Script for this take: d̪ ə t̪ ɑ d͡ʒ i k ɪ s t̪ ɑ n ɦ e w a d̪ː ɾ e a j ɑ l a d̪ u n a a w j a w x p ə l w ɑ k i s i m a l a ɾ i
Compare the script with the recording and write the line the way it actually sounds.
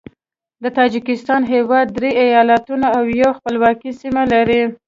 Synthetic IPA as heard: d̪ ə t̪ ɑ d͡ʒ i k ɪ s t̪ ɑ n ɦ e w ɑ d̪ː ɾ e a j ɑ l a t̪ u n a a w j a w x p ə l w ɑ k i s i m a l a ɾ i